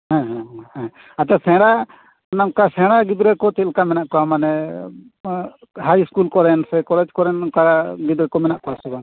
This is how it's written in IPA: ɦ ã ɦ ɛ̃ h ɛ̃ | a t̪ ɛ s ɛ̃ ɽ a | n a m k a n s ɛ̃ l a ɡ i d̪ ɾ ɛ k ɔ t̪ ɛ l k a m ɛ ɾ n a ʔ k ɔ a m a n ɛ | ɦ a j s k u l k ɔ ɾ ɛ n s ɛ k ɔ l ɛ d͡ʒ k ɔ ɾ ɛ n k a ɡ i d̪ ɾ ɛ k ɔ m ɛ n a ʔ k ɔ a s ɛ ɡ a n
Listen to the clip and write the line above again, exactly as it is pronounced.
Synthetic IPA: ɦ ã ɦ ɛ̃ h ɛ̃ | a t̪ ɛ s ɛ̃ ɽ a | n a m k a s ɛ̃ ɽ a ɡ i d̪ ɾ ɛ k ɔ t̪ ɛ l k a m ɛ n a ʔ k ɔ a m a n ɛ | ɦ a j s k u l k ɔ ɾ ɛ n s ɛ k ɔ l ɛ d͡ʒ k ɔ ɾ ɛ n k a ɡ i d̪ ɾ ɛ k ɔ m ɛ n a ʔ k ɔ a s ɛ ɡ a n